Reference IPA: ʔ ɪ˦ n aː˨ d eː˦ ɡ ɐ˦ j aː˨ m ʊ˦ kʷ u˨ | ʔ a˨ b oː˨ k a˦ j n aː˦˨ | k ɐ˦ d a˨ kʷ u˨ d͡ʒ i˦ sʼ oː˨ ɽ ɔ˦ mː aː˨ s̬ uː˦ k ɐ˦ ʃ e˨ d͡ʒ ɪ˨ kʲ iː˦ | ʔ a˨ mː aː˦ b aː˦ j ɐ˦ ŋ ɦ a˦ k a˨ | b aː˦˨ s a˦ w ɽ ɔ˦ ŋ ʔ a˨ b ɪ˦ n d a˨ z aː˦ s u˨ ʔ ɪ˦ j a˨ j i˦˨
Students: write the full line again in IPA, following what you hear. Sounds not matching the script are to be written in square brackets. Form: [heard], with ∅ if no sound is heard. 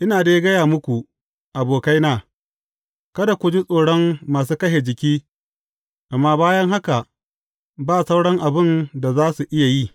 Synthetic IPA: ʔ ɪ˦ n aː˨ d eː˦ ɡ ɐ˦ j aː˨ m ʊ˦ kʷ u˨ | ʔ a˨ b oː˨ k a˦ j n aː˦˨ | k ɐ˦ d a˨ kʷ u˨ d͡ʒ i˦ sʼ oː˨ ɽ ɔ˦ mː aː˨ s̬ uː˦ k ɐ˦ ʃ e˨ d͡ʒ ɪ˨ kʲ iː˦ | ʔ a˨ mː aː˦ b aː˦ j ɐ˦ ŋ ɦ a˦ k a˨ | b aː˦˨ s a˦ w ɽ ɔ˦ ŋ ʔ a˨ b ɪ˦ n d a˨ z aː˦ s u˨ ʔ ɪ˦ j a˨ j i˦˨